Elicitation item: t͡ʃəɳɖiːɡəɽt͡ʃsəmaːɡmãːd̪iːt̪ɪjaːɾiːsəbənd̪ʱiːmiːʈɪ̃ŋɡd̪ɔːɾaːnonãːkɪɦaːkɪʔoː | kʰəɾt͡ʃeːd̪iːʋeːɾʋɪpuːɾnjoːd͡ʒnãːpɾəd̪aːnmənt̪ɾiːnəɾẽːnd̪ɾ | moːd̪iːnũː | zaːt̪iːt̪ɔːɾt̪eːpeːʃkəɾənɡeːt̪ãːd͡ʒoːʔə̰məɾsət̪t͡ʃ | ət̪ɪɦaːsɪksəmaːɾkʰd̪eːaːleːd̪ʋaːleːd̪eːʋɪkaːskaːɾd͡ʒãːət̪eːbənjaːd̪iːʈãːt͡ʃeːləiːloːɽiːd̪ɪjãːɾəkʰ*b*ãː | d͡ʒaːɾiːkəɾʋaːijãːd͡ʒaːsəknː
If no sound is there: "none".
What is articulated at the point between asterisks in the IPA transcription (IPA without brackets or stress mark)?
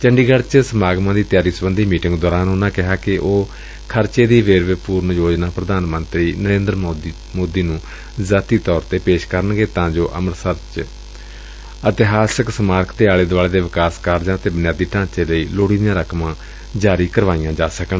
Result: m